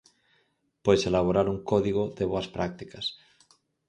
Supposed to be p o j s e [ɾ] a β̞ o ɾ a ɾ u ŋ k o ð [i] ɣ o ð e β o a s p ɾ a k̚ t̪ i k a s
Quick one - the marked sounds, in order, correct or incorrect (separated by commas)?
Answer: incorrect, correct